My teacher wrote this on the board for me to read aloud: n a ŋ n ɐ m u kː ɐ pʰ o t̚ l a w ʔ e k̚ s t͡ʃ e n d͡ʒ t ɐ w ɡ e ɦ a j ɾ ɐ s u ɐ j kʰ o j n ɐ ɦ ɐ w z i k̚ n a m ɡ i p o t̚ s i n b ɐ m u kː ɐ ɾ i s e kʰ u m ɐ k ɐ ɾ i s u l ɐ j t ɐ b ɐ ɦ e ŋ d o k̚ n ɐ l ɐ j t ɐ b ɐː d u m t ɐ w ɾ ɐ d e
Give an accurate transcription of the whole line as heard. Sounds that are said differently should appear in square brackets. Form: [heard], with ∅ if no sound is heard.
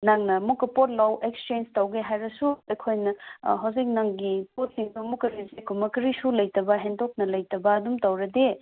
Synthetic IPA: n a ŋ n ɐ m u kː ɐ [p] o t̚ l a w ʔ e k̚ s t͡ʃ e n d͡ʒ t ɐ w ɡ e ɦ a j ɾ ɐ s u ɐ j kʰ o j n ɐ ɦ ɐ w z i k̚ n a [ŋ] ɡ i p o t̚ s i [ŋ] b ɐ m u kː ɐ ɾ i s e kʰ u m ɐ k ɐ ɾ i s u l ɐ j t ɐ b ɐ ɦ e [n] d o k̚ n ɐ l ɐ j t ɐ b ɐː d u m t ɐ w ɾ ɐ d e